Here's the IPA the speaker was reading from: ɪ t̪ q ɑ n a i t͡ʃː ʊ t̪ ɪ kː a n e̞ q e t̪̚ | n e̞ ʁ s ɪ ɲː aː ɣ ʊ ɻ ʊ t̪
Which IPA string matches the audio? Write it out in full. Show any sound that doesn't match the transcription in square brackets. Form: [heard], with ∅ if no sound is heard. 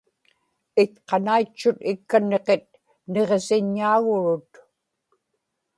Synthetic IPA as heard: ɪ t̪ q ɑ n a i t͡ʃː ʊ t̪ ɪ kː a n e̞ q e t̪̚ | n e̞ ʁ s ɪ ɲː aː ɣ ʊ ɻ ʊ t̪